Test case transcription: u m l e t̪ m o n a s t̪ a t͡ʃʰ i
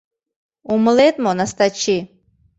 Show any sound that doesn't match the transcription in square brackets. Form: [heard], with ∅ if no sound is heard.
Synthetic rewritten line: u m l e t̪ m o n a s t̪ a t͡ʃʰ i